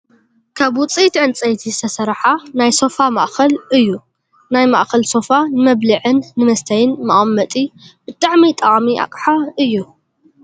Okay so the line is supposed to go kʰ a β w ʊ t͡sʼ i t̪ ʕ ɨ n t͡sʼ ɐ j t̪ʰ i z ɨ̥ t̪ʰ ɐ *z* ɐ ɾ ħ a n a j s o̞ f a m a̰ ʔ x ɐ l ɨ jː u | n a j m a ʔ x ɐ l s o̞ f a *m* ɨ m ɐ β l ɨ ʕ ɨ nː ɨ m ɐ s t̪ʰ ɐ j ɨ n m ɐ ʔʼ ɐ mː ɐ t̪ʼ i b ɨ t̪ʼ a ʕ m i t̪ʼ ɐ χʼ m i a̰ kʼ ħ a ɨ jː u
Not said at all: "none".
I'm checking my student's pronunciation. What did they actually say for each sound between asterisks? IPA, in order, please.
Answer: s, n

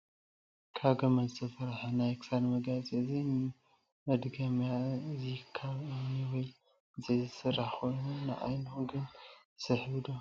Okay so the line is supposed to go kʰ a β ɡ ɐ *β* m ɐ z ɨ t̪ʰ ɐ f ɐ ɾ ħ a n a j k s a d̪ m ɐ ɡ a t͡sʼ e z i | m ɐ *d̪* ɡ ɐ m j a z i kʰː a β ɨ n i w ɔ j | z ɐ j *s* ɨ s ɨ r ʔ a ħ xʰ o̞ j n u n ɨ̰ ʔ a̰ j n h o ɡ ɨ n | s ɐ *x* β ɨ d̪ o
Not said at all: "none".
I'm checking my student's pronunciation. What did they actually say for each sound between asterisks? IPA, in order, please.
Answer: none, d̪, z, ħ

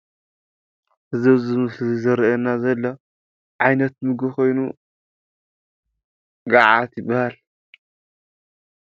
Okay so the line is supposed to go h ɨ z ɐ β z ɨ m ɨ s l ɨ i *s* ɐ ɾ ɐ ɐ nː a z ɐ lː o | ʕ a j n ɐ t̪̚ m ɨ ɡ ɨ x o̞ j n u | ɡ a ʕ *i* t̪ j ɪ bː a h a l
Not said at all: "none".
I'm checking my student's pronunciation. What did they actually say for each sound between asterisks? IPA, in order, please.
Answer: z, a

